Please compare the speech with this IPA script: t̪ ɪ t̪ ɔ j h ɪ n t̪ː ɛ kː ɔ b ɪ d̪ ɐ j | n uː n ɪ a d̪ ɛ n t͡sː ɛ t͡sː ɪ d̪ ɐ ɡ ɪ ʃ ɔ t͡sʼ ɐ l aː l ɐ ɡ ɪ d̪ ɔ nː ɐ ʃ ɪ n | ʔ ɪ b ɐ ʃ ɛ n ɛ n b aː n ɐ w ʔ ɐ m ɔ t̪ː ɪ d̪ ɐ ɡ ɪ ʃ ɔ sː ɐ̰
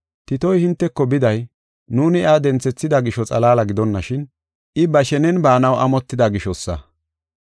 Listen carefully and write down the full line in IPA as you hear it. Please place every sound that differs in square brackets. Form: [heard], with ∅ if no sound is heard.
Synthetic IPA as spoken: t̪ ɪ t̪ ɔ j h ɪ n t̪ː ɛ kː ɔ b ɪ d̪ ɐ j | n uː n ɪ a d̪ ɛ n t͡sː ɛ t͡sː ɪ d̪ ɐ ɡ ɪ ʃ ɔ t͡sʼ ɐ l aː l ɐ ɡ ɪ d̪ ɔ nː ɐ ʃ ɪ n | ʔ ɪ b ɐ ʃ ɛ n ɛ n b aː n ɐ w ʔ ɐ m ɔ t̪ː ɪ d̪ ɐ ɡ ɪ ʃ ɔ sː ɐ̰